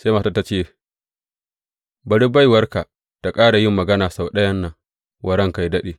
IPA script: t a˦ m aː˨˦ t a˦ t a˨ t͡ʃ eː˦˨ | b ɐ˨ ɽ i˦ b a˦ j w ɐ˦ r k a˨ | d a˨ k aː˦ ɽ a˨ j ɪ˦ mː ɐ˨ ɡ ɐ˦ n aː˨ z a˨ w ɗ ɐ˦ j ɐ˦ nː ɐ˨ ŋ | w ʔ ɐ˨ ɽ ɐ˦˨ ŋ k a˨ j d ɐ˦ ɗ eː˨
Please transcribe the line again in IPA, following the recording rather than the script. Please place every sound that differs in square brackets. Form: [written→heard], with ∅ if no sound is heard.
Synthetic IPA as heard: [t→s] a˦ m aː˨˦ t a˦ t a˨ t͡ʃ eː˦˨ | b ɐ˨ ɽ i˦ b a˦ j w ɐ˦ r k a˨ | [d→t] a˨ [k→kʼ] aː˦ ɽ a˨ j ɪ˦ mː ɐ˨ ɡ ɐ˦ n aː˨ [z→s] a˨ w ɗ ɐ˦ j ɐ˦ nː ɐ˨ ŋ | w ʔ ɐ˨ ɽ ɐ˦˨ ŋ k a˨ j d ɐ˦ ɗ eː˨